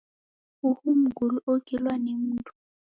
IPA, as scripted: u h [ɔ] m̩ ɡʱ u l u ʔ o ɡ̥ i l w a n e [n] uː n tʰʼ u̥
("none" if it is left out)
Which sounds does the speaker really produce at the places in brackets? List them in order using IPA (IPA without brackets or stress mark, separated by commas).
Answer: u, m